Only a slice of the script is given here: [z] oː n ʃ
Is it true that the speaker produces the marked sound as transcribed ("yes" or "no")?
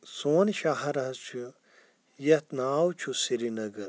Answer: no